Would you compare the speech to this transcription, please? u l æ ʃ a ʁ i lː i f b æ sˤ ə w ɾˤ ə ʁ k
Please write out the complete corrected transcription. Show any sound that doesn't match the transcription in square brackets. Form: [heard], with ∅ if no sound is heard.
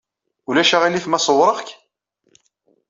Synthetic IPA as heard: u l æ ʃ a ʁ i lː i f [m] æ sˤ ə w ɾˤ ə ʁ k